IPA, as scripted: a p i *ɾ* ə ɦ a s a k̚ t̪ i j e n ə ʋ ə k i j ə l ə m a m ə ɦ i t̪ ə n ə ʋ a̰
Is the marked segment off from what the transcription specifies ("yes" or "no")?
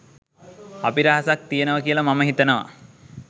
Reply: no